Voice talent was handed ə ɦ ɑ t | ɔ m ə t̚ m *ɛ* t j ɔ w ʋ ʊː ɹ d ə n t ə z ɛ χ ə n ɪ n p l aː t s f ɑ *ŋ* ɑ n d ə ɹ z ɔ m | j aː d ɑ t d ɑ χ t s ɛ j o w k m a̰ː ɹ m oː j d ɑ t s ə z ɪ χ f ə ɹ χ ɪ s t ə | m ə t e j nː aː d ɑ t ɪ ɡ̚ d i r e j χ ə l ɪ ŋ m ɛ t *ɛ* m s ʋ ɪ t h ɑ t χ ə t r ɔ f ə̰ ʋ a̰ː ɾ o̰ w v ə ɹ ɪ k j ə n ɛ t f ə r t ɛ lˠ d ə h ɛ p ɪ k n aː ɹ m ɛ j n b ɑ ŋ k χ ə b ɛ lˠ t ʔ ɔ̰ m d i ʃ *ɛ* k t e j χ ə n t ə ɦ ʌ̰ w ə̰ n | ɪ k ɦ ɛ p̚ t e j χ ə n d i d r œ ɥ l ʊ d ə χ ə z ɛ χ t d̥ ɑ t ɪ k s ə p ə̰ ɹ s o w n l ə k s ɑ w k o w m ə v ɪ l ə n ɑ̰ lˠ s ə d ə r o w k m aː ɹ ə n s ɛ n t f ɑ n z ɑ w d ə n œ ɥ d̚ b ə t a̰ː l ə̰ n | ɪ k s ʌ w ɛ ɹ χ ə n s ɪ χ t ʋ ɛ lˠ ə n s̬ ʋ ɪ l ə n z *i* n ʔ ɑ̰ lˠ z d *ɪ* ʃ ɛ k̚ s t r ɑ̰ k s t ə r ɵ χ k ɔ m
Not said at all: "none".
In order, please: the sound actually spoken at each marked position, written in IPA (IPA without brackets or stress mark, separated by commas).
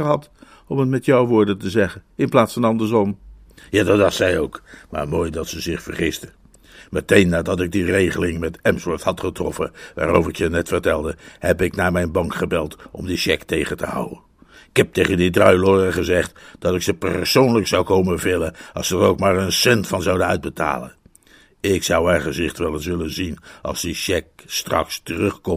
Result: ɛ, n, ɛ, ɛ, i, i